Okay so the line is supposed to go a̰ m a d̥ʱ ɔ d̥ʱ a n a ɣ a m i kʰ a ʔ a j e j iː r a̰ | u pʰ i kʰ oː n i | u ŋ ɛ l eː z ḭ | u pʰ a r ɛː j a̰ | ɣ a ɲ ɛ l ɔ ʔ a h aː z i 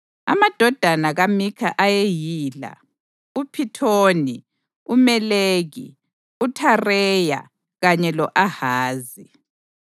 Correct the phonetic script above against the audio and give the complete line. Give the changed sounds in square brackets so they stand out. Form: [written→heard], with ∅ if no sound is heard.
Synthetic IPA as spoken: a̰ m a d̥ʱ ɔ d̥ʱ a n a ɣ a m i kʰ a ʔ a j e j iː [r→l] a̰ | u pʰ i [kʰ→tʰ] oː n i | u [ŋ→m] ɛ l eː [z→ɣ] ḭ | u [pʰ→tʰ] a r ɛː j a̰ | ɣ a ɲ ɛ l ɔ ʔ a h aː z i